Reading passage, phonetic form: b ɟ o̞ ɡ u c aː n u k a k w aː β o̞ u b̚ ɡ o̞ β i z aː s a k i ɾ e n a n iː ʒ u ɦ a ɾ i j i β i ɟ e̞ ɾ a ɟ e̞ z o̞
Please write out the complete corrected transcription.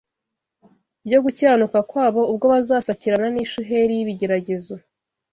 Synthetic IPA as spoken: b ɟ o̞ ɡ u c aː n u k a k w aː β o̞ u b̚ ɡ o̞ β a z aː s a c i ɾ a n a n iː ʃ u ɦ e ɾ i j i β i ɟ e̞ ɾ a ɟ e̞ z o̞